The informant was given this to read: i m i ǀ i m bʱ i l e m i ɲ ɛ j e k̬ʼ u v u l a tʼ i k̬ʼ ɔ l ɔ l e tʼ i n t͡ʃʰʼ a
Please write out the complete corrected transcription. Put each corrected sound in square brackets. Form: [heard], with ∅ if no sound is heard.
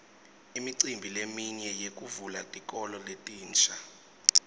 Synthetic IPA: i m i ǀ i m bʱ i l e m i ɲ ɛ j e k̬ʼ u v u l a tʼ i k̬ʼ ɔ l ɔ l e tʼ [iː] n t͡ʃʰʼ a